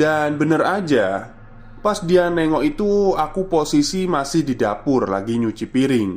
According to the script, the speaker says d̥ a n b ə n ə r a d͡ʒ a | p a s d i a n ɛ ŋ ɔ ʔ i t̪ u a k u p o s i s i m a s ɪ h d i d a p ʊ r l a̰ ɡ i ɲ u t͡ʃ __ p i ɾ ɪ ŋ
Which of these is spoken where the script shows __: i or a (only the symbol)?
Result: i